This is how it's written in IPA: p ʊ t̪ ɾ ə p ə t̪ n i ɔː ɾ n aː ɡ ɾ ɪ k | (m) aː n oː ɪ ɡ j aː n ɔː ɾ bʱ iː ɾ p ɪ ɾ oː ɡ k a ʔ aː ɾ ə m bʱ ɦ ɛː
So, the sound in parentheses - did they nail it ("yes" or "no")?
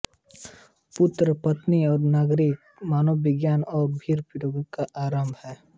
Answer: yes